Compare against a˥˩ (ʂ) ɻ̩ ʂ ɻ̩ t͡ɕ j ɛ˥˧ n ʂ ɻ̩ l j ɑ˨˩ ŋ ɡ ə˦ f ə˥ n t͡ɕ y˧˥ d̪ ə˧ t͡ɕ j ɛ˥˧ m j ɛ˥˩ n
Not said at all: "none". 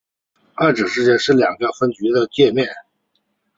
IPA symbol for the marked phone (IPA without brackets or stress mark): ʈ͡ʂ